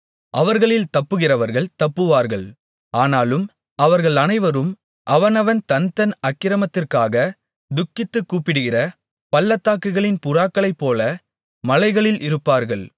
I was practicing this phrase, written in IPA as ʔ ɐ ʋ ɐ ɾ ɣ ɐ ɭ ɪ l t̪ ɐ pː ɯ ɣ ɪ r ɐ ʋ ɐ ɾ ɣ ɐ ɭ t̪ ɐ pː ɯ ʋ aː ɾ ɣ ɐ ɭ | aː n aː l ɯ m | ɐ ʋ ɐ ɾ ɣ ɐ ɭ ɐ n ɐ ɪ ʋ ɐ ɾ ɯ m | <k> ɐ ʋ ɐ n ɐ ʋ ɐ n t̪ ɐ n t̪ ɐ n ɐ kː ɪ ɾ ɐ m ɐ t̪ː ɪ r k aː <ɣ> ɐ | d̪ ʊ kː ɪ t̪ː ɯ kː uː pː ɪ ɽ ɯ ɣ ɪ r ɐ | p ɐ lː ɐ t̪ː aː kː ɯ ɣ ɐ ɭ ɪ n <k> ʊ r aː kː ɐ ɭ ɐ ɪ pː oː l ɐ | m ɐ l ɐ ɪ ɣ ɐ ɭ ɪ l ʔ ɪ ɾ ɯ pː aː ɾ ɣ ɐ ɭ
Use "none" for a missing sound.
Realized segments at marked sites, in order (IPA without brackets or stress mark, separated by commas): ʔ, ɣ, p